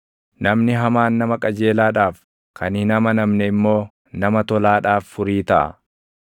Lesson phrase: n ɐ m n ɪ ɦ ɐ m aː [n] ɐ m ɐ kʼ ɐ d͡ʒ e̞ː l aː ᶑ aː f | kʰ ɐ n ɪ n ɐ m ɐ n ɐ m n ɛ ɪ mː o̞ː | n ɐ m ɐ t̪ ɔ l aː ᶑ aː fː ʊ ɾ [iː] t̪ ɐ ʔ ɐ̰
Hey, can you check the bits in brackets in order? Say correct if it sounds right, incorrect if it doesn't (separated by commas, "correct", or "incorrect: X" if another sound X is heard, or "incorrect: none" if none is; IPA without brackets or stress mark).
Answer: incorrect: nː, correct